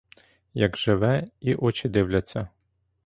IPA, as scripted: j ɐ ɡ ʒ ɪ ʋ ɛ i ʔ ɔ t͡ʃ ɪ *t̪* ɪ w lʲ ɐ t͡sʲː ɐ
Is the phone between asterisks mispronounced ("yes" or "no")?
yes